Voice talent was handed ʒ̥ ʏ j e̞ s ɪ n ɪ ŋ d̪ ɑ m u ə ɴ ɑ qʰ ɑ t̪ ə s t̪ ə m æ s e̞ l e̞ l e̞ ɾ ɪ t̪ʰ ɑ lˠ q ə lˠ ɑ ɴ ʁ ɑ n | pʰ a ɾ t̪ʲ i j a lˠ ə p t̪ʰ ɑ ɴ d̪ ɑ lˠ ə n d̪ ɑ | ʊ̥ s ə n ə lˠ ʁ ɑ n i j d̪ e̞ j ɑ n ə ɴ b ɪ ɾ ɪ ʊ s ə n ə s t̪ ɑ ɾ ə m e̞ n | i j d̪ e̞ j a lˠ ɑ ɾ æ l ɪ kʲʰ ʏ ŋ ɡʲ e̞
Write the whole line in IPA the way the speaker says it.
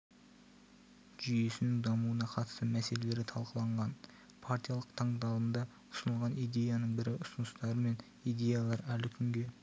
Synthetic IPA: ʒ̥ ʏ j e̞ s ɪ n ɪ ŋ d̪ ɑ m u ə n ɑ qʰ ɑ t̪ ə s t̪ ə m æ s e̞ l e̞ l e̞ ɾ ɪ t̪ʰ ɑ lˠ q ə lˠ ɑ ɴ ʁ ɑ n | pʰ a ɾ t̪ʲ i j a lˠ ə q t̪ʰ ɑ ɴ d̪ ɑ lˠ ə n d̪ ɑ | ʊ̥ s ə n ə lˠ ʁ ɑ n i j d̪ e̞ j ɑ n ə ɴ b ɪ ɾ ɪ ʊ s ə n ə s t̪ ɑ ɾ ə m e̞ n | i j d̪ e̞ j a lˠ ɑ ɾ æ l ɪ kʲʰ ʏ ŋ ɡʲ e̞